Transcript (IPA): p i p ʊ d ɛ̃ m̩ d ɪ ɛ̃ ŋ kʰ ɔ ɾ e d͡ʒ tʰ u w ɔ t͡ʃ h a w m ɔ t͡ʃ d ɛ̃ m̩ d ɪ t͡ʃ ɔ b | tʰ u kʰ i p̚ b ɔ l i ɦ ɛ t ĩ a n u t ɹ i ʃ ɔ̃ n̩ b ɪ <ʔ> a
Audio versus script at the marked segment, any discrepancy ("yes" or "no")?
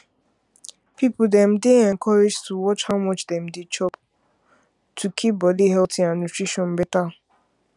yes